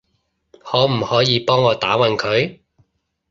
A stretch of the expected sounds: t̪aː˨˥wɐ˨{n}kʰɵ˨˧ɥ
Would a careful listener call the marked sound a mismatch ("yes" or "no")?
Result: no